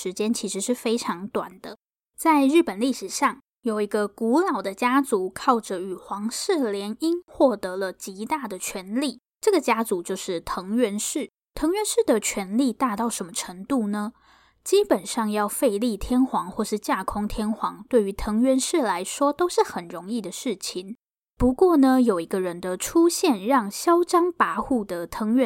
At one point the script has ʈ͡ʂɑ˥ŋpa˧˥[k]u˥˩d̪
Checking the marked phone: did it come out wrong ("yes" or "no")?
yes